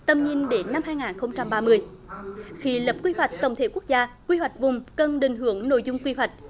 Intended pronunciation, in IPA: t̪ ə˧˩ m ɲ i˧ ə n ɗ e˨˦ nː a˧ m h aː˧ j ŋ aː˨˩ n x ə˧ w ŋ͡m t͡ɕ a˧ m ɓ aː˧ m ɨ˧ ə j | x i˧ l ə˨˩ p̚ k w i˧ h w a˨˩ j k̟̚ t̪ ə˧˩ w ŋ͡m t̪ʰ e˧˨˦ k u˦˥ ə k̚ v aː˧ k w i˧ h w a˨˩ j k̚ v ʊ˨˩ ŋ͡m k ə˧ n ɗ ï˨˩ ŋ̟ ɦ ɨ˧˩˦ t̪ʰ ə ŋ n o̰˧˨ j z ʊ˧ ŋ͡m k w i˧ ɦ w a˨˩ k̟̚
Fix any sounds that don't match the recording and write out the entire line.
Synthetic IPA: t̪ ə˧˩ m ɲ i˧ ə n ɗ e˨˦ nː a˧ m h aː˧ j ŋ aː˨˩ n x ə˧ w ŋ͡m t͡ɕ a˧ m ɓ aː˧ m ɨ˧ ə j | x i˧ l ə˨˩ p̚ k w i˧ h w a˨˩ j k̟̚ t̪ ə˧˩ w ŋ͡m t̪ʰ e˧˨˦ k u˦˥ ə k̚ z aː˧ k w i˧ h w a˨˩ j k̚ v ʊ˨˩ ŋ͡m k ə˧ n ɗ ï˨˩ ŋ̟ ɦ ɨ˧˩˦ ə ŋ n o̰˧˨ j z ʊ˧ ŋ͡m k w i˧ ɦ w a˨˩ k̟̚